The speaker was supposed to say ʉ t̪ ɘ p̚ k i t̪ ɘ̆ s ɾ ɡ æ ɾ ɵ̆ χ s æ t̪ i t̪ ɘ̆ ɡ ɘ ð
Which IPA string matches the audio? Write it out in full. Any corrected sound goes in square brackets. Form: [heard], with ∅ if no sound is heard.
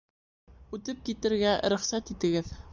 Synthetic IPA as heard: ʉ t̪ ɘ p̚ k i t̪ ɘ̆ [∅] ɾ ɡ æ ɾ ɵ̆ χ s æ t̪ i t̪ ɘ̆ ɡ ɘ ð

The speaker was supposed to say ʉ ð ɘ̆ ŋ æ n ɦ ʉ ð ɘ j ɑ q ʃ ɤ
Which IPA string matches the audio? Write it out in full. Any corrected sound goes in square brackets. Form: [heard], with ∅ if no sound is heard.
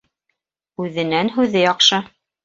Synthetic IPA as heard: ʉ ð ɘ̆ [n] æ n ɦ ʉ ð ɘ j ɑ q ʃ ɤ

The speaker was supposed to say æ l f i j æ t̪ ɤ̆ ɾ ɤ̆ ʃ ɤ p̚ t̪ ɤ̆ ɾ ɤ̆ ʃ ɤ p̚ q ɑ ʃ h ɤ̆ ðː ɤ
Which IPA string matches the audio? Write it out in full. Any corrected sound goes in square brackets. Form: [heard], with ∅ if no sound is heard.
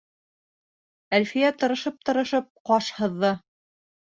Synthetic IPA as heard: æ l f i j æ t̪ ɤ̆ ɾ ɤ̆ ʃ ɤ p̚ t̪ ɤ̆ ɾ ɤ̆ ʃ ɤ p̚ q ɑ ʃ h ɤ̆ ðː ɤ

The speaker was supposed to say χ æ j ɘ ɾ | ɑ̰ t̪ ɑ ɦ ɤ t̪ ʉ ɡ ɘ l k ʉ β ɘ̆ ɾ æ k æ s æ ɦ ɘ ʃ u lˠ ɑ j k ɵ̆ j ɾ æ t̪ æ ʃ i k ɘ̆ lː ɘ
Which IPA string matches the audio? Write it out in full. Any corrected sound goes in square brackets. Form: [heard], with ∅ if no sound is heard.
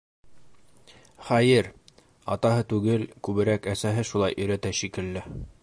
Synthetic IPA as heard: χ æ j ɘ ɾ | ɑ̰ t̪ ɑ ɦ ɤ t̪ ʉ ɡ ɘ l k ʉ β ɘ̆ ɾ æ k æ s æ ɦ ɘ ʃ u lˠ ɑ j [ʔ] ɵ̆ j ɾ æ t̪ æ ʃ i k ɘ̆ lː ɘ

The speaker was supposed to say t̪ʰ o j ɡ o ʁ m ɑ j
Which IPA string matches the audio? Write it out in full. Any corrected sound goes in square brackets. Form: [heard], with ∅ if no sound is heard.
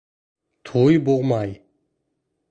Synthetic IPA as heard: t̪ʰ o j [b] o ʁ m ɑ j

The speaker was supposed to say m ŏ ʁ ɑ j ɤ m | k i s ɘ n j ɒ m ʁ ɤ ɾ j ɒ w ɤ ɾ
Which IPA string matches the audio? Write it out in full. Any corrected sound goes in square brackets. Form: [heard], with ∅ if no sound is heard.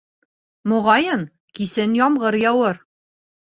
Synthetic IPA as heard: m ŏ ʁ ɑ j ɤ [n] | k i s ɘ n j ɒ m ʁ ɤ ɾ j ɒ w ɤ ɾ

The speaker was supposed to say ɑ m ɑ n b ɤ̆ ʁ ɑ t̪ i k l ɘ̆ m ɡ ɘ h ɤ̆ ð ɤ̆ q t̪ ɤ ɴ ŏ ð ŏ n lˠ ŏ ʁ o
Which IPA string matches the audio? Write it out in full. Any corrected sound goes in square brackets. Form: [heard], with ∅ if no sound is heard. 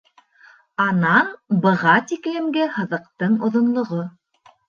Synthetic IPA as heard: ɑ [n] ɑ n b ɤ̆ ʁ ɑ t̪ i k l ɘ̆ m ɡ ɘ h ɤ̆ ð ɤ̆ q t̪ ɤ ɴ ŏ ð ŏ n lˠ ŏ ʁ o

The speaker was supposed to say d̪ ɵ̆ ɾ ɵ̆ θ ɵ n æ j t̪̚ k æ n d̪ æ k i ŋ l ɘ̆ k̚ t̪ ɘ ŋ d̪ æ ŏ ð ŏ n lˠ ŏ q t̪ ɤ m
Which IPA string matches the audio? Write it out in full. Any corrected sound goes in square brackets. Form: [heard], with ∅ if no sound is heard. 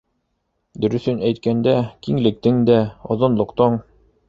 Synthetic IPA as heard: d̪ ɵ̆ ɾ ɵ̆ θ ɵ n æ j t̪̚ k æ n d̪ æ k i ŋ l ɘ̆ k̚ t̪ ɘ ŋ d̪ æ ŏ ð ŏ n lˠ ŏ q t̪ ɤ [ɴ]

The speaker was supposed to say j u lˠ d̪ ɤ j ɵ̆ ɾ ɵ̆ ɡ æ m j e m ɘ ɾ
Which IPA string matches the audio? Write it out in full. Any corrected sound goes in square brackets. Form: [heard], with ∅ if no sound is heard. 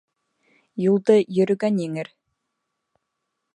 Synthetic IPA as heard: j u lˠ d̪ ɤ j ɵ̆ ɾ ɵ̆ ɡ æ [n] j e [ŋ] ɘ ɾ

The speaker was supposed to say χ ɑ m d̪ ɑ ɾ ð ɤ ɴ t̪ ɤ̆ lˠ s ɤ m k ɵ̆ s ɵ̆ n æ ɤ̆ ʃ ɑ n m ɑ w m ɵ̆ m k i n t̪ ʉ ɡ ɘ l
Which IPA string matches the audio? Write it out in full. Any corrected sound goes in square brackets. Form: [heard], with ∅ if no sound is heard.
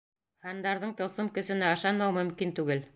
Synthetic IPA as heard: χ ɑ [n] d̪ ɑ ɾ ð ɤ ɴ t̪ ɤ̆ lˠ s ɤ m k ɵ̆ s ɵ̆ n æ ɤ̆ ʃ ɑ n m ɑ w m ɵ̆ m k i n t̪ ʉ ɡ ɘ l

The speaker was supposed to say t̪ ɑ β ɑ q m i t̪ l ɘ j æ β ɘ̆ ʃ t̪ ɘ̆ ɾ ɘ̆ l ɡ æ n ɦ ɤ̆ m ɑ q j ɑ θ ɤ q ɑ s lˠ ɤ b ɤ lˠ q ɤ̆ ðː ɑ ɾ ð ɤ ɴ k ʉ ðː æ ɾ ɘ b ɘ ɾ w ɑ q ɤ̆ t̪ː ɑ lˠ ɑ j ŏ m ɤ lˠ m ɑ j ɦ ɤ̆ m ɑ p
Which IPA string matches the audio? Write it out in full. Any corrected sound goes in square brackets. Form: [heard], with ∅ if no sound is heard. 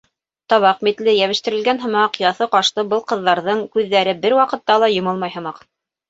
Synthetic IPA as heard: t̪ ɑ β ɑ q m i t̪ l ɘ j æ β ɘ̆ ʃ t̪ ɘ̆ ɾ ɘ̆ l ɡ æ n ɦ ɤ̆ m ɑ q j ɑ θ ɤ q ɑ [ʃ] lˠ ɤ b ɤ lˠ q ɤ̆ ðː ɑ ɾ ð ɤ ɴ k ʉ ðː æ ɾ ɘ b ɘ ɾ w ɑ q ɤ̆ t̪ː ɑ lˠ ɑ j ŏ m ɤ lˠ m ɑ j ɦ ɤ̆ m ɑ [q]

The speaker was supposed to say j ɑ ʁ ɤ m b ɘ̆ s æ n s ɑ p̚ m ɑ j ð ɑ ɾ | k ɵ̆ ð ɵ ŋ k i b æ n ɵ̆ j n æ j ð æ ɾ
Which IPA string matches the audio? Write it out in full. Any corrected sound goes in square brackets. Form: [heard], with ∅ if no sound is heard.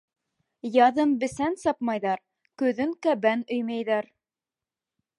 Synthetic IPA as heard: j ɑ [ð] ɤ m b ɘ̆ s æ n s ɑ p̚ m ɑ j ð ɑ ɾ | k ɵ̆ ð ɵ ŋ k [æ] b æ n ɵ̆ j [m] æ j ð æ ɾ

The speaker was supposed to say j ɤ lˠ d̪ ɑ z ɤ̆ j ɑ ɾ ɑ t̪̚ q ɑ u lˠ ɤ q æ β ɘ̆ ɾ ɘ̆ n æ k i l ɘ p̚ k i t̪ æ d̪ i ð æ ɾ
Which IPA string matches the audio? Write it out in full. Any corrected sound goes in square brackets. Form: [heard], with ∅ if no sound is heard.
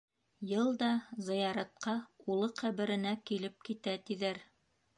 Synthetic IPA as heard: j ɤ lˠ d̪ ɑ z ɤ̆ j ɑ ɾ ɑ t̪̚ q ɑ u lˠ ɤ q æ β ɘ̆ ɾ ɘ̆ n æ k i l ɘ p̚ k i t̪ æ [t̪] i ð æ ɾ

